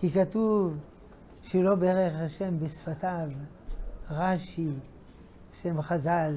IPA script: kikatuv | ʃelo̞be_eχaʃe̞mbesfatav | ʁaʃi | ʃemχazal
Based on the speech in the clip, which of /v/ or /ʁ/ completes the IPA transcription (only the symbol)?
ʁ